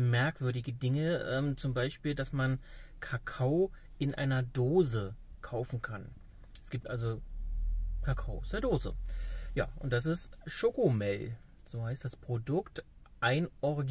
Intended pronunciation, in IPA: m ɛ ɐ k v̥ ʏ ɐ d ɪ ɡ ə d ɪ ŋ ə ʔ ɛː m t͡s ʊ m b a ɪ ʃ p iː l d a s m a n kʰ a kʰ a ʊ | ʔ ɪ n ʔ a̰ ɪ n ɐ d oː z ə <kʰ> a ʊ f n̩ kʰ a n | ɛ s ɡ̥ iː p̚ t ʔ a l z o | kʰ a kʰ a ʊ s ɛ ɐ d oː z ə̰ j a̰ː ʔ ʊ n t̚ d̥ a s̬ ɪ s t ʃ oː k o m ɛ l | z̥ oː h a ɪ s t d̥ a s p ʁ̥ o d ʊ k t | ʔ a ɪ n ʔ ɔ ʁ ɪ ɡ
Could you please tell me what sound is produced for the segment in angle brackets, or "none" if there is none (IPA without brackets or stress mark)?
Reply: kʰ